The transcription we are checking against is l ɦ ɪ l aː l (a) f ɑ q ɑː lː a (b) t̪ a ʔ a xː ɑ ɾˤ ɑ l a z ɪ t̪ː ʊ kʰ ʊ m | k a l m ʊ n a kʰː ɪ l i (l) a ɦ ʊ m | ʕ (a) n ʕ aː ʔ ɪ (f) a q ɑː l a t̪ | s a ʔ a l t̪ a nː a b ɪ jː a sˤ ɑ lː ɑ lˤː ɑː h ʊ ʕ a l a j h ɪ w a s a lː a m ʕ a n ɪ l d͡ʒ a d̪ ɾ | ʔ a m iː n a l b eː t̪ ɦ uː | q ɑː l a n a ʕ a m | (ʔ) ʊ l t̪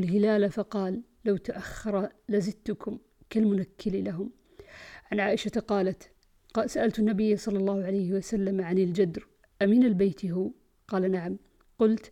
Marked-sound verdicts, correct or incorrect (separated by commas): correct, incorrect, correct, correct, incorrect, incorrect